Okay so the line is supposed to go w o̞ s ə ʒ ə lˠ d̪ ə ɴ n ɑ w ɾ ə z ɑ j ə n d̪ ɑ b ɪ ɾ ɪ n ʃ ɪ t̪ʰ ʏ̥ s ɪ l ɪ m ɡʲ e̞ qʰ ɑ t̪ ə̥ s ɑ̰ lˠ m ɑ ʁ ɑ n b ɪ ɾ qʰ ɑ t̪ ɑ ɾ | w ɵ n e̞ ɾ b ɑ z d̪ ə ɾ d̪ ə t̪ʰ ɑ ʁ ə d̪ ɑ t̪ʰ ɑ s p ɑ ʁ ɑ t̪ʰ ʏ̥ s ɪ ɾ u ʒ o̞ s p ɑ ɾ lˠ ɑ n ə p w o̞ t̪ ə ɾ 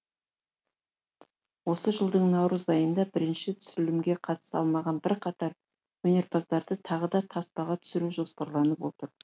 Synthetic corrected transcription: w o̞ s ə ʒ ə lˠ d̪ ə ɴ n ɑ w ɾ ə z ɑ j ə n d̪ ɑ b ɪ ɾ ɪ n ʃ ɪ t̪ʰ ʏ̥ s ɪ l ɪ m ɡʲ e̞ qʰ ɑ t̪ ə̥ s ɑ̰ lˠ m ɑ ʁ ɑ n b ɪ ɾ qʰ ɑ t̪ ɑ ɾ | w ɵ n e̞ ɾ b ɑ z d̪ ɑ ɾ d̪ ə t̪ʰ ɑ ʁ ə d̪ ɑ t̪ʰ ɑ s p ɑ ʁ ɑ t̪ʰ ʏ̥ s ɪ ɾ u ʒ o̞ s p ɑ ɾ lˠ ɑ n ə p w o̞ t̪ ə ɾ